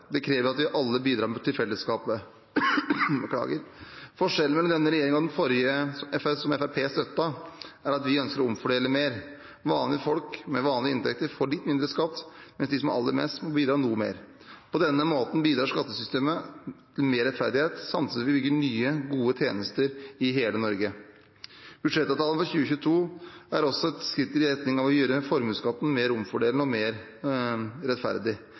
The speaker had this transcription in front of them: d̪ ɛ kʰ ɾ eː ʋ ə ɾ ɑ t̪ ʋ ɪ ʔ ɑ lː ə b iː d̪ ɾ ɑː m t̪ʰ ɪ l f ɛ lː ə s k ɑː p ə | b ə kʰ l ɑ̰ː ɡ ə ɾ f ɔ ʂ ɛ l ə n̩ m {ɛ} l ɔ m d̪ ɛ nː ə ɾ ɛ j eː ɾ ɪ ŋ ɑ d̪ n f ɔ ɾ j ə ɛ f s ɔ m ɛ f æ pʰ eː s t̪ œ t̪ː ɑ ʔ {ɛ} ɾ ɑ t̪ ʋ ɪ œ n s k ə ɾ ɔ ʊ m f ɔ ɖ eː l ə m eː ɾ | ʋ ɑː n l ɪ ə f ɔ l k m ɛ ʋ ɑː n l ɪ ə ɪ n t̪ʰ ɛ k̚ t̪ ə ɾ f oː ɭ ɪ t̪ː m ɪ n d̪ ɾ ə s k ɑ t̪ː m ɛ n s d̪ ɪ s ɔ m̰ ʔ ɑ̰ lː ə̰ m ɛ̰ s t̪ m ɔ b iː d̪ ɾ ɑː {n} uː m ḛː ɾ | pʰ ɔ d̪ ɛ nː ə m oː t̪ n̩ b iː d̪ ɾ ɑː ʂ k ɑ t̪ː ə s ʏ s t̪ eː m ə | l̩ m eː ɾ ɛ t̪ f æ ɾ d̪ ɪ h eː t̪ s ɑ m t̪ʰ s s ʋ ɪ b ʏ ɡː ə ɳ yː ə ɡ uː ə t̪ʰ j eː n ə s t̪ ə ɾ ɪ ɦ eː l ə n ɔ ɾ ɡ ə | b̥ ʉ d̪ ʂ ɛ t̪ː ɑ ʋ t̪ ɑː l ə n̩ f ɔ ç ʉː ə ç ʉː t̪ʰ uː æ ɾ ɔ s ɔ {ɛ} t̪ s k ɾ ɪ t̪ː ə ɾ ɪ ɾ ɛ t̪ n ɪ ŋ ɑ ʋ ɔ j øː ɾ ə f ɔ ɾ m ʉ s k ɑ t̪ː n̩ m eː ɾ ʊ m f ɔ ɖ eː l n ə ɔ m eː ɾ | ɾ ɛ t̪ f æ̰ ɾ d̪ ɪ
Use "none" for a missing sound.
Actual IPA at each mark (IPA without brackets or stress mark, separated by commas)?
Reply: ɛ, æ, n, ɛ